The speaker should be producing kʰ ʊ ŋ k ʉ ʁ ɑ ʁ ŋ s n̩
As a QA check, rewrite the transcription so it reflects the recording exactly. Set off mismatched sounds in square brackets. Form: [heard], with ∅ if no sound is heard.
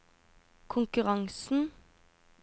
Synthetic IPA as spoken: kʰ ʊ ŋ k ʉ ʁ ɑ [∅] ŋ s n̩